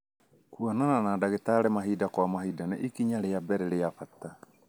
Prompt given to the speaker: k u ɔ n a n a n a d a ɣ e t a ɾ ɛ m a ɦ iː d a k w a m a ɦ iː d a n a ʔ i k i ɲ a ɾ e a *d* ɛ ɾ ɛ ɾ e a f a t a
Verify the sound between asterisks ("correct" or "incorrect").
incorrect